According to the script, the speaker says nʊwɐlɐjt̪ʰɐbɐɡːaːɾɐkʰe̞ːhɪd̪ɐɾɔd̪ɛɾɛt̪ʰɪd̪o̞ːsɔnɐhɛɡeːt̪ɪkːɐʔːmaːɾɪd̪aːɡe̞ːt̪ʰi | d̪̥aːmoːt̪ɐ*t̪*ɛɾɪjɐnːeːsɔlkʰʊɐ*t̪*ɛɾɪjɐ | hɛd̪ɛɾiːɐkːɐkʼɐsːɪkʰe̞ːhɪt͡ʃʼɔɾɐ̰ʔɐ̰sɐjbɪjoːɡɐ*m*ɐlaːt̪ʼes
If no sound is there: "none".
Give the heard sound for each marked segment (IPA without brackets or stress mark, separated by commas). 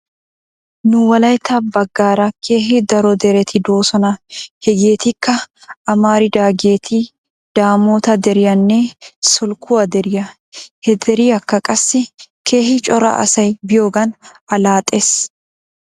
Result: d̪, d̪, n